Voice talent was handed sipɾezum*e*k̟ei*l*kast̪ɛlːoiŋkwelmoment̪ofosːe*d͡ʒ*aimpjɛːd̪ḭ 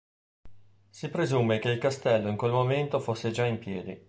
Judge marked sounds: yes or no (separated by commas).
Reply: yes, yes, yes